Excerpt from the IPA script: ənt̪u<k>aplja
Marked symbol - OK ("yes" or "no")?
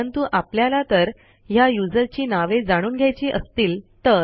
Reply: no